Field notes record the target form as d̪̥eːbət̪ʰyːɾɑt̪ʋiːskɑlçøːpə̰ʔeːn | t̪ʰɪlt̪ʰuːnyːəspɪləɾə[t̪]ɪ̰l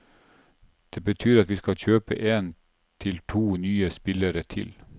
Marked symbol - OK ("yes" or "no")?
no